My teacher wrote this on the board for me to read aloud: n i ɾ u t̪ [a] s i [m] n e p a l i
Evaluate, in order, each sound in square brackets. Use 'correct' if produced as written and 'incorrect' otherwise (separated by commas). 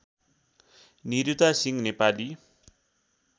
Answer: correct, incorrect